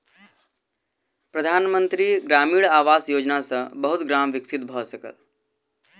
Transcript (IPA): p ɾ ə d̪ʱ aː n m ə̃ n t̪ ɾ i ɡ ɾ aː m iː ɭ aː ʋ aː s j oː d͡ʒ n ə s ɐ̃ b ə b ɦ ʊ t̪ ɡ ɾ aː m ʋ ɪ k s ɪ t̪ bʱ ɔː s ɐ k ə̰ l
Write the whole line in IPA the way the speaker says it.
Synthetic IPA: p ɾ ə d̪ʱ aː n m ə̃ n t̪ ɾ i ɡ ɾ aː m iː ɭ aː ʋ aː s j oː d͡ʒ n a s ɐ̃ b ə ɦ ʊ t̪ ɡ ɾ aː m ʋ ɪ k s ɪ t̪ bʱ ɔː s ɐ k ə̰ l